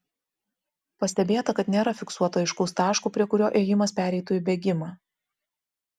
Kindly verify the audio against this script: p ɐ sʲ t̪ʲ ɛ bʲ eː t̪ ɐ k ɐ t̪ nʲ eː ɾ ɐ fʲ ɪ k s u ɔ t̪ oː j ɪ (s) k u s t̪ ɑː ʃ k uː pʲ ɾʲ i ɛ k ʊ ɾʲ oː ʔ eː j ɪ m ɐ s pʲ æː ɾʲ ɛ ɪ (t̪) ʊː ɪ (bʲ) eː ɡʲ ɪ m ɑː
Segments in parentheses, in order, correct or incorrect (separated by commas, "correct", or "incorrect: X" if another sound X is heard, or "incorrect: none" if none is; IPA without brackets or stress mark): incorrect: ʃ, correct, correct